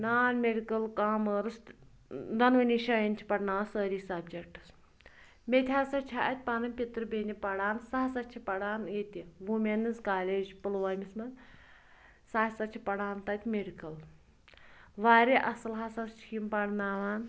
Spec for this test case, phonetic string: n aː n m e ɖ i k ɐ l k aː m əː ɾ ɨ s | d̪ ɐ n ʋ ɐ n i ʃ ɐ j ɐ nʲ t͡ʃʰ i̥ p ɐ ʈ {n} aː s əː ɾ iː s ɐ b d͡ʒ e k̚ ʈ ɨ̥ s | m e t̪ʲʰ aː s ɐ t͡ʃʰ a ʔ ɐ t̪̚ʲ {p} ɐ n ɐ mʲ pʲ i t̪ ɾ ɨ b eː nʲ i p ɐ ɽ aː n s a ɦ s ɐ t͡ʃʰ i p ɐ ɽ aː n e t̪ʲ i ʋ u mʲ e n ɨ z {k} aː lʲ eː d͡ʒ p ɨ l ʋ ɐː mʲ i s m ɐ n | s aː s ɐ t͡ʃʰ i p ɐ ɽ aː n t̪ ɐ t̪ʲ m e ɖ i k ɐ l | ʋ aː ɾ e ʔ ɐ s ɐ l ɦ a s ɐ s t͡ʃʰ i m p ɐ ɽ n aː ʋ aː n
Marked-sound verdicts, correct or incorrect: correct, correct, correct

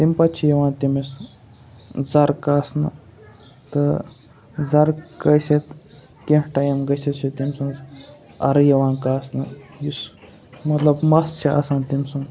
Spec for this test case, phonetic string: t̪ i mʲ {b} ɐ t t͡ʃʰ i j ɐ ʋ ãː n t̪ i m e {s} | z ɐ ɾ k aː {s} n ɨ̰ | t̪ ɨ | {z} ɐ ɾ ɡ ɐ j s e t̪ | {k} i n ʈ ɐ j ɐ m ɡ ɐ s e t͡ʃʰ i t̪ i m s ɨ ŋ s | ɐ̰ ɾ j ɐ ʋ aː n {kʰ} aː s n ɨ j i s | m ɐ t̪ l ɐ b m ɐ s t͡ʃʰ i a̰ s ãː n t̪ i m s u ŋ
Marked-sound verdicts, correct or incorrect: incorrect: p, correct, correct, correct, correct, incorrect: k

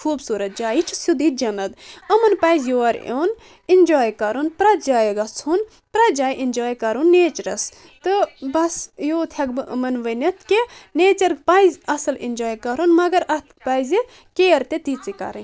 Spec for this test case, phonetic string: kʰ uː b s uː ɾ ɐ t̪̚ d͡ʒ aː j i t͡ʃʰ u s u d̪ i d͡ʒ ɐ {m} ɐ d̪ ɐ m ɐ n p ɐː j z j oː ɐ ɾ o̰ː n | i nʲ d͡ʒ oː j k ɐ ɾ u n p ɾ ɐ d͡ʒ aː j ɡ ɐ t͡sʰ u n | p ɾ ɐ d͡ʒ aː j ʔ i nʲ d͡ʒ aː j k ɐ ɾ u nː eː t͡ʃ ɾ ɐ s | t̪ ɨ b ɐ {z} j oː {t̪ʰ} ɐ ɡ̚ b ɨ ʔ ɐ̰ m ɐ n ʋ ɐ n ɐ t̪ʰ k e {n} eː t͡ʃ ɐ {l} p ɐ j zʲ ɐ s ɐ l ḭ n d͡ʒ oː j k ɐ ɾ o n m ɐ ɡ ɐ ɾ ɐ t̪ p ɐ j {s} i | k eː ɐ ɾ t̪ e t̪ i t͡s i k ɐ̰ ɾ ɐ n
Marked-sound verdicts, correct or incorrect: incorrect: n, incorrect: s, correct, correct, incorrect: ɾ, incorrect: z

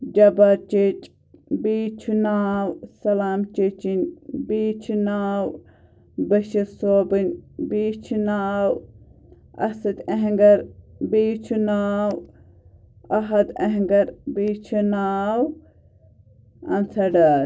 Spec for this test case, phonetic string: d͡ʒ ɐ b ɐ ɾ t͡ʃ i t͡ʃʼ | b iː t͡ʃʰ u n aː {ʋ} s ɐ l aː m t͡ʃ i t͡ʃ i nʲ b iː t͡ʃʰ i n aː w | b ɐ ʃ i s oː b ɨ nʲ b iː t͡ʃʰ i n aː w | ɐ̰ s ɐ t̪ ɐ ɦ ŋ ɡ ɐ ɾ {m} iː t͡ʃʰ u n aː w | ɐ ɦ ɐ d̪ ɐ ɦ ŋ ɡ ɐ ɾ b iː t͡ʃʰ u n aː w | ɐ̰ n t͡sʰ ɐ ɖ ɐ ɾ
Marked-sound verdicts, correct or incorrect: incorrect: w, incorrect: b

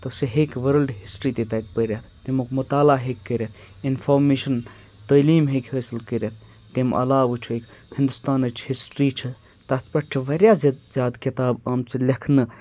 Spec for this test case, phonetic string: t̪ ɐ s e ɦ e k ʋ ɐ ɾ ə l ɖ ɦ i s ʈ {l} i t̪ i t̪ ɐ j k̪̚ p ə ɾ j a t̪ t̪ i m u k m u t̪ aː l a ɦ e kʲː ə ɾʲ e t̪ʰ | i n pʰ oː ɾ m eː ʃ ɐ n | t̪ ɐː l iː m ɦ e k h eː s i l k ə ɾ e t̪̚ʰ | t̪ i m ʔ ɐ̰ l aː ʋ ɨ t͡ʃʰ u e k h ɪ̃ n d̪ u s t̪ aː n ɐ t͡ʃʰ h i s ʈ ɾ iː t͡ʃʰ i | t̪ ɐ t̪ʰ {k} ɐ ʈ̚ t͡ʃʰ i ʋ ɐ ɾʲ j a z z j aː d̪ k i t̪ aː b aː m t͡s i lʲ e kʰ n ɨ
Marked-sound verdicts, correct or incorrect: incorrect: ɾ, incorrect: p

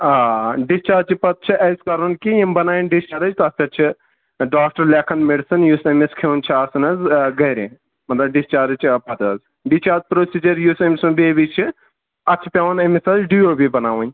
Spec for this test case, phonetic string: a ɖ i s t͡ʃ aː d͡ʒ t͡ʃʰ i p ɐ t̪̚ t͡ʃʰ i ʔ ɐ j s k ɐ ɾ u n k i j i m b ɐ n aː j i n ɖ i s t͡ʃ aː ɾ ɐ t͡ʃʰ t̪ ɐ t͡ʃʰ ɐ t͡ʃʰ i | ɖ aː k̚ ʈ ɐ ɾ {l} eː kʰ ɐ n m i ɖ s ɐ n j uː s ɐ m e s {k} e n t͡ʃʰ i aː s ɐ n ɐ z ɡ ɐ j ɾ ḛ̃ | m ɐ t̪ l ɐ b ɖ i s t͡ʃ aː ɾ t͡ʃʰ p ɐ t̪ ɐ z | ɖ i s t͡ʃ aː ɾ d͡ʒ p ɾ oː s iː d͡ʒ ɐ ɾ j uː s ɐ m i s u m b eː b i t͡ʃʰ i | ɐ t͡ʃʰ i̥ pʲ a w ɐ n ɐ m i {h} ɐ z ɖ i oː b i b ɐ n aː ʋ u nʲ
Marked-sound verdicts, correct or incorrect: correct, incorrect: kʰ, incorrect: s

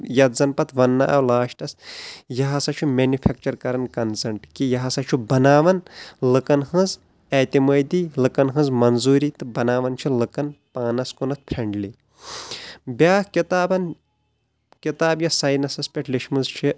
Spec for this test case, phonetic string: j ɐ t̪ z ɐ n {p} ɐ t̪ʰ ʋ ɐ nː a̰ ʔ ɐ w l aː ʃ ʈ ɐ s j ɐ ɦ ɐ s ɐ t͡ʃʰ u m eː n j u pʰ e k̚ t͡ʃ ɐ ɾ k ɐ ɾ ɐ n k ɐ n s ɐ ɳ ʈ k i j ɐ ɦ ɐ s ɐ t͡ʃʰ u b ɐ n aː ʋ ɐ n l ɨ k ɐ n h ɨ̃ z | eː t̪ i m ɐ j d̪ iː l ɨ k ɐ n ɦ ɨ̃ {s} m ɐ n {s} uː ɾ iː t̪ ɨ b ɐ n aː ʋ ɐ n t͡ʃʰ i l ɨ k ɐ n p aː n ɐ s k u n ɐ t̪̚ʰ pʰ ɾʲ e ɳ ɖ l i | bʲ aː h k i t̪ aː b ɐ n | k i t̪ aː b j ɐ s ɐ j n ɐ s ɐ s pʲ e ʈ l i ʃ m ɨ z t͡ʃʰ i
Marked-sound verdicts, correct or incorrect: correct, incorrect: z, incorrect: z

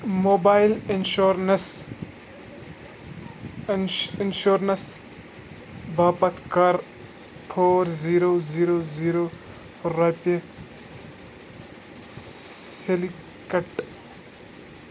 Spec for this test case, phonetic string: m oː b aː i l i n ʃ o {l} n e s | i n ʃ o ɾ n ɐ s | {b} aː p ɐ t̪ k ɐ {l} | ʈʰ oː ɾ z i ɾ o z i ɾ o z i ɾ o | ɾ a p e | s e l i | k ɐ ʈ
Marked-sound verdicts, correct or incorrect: incorrect: ɾ, correct, incorrect: ɾ

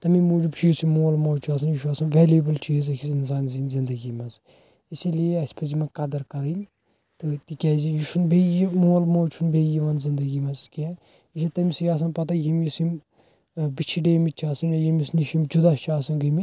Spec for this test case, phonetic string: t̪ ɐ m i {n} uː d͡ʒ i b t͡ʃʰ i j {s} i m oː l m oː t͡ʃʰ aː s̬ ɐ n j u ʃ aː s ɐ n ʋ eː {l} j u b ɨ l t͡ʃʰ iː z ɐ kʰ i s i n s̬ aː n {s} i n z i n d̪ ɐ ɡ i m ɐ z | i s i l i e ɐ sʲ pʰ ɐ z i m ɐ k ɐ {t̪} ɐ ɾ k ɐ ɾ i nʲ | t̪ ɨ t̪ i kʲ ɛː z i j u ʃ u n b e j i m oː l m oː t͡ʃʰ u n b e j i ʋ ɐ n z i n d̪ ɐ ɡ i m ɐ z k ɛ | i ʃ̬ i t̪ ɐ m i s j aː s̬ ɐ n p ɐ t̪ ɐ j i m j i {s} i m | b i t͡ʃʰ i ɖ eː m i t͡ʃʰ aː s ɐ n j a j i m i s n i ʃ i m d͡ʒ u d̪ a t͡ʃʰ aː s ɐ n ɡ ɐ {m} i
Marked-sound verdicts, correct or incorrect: incorrect: m, correct, correct, incorrect: z, incorrect: d̪, correct, correct

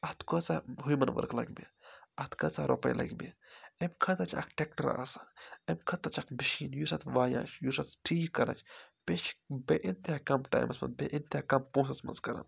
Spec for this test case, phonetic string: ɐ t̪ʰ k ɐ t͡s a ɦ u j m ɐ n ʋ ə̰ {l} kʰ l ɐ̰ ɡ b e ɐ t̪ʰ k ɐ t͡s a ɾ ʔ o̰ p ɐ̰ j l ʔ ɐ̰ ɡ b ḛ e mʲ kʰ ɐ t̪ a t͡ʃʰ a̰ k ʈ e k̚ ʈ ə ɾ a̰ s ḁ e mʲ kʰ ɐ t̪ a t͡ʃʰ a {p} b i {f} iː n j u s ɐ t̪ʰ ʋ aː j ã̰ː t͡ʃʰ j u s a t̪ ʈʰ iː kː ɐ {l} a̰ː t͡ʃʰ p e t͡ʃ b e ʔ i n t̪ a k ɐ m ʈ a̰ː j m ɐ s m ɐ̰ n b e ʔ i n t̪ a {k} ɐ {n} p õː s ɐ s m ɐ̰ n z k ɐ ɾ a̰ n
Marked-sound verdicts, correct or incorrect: incorrect: ɾ, incorrect: k, incorrect: ʃ, incorrect: ɾ, correct, incorrect: m

